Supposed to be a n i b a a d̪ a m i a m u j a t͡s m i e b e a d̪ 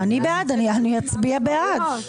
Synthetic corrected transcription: a n i b e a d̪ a n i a n u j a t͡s b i a b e a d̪